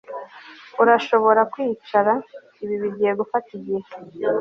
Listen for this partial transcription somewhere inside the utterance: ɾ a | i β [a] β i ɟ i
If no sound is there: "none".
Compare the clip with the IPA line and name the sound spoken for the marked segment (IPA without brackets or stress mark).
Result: i